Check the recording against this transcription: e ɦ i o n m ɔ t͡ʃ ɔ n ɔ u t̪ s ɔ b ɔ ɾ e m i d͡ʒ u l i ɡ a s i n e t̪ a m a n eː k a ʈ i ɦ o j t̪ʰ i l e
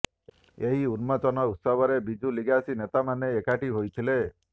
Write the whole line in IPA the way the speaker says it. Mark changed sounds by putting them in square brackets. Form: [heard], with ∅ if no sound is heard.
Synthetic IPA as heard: e ɦ i [u] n m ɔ t͡ʃ ɔ n ɔ u t̪ s ɔ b ɔ ɾ e [b] i d͡ʒ u l i ɡ a s i n e t̪ a m a n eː k a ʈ i ɦ o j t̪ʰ i l e